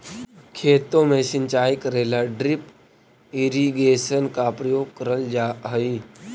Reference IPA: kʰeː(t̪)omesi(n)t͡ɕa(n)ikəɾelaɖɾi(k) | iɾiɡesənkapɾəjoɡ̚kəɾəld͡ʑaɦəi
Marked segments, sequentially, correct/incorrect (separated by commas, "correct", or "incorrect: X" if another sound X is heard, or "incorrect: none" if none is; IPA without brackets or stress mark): correct, correct, incorrect: none, incorrect: p